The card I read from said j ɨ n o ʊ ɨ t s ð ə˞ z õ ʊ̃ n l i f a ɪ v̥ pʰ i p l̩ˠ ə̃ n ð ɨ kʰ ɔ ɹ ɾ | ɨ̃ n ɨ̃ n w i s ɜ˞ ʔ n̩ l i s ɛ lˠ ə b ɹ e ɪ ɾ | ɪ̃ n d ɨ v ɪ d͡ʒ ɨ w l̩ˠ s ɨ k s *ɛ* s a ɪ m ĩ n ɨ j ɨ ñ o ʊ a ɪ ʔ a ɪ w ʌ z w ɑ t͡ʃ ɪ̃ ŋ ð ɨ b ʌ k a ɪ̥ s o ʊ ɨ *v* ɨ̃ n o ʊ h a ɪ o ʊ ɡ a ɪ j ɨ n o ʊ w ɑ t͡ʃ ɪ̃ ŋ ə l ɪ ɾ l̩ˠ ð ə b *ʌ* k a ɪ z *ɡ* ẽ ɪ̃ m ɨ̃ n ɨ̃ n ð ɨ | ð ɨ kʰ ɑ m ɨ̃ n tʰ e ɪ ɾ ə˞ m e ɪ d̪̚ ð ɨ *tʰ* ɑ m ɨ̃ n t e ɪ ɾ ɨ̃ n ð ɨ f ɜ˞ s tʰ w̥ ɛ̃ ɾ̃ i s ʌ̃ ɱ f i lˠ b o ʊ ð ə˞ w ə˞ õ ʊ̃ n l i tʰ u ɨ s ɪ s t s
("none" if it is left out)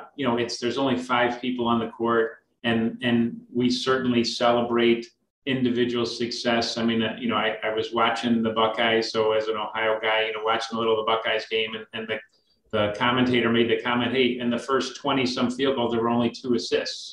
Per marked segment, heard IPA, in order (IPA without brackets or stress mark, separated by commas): ɛ, z, ʌ, ɡ, kʰ